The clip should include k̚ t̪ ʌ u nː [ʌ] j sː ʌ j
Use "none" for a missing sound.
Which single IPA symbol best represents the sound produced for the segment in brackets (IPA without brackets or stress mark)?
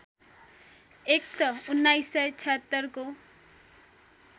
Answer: a